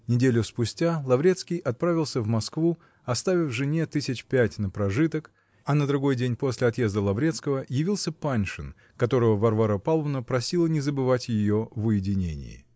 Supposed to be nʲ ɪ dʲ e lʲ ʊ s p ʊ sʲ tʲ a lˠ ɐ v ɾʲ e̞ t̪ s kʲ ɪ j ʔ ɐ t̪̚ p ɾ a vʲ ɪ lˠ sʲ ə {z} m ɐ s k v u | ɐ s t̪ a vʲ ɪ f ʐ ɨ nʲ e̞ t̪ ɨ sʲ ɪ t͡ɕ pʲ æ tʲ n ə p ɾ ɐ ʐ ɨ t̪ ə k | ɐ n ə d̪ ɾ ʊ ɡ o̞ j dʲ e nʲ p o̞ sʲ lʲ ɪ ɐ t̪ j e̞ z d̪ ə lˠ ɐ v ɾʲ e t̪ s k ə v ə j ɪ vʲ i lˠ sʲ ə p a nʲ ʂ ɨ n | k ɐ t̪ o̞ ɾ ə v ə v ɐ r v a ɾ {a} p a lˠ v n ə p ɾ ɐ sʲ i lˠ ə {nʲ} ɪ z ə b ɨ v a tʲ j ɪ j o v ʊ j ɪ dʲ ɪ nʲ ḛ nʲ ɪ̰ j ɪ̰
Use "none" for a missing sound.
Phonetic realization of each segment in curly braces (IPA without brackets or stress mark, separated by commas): v, ə, nʲ